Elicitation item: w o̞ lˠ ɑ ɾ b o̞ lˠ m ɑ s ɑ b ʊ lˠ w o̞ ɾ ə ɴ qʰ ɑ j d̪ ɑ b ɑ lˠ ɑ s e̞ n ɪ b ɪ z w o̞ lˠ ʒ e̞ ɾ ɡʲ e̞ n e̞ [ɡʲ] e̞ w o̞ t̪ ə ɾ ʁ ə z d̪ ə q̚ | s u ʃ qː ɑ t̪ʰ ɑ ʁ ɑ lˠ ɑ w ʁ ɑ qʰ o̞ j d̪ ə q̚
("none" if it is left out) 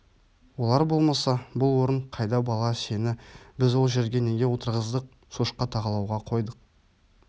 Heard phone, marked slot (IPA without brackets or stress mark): ɡʲ